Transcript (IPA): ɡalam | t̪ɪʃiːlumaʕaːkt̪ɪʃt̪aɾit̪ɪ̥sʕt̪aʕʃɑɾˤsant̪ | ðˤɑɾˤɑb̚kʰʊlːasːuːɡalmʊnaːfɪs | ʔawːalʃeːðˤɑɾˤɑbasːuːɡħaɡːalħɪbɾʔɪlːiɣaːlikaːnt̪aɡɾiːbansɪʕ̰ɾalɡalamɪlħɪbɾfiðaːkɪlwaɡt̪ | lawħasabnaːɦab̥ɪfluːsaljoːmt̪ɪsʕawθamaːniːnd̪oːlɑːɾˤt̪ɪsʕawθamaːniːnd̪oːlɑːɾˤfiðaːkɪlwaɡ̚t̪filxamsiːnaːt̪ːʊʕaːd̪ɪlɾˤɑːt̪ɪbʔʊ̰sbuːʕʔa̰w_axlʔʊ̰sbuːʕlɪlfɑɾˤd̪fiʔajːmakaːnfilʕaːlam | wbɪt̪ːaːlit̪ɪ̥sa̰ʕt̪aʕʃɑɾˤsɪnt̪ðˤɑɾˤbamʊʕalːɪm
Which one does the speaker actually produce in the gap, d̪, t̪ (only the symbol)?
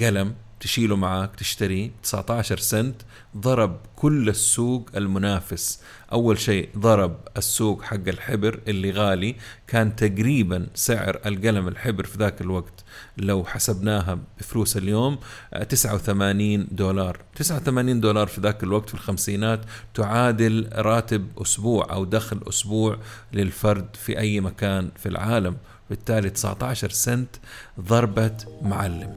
d̪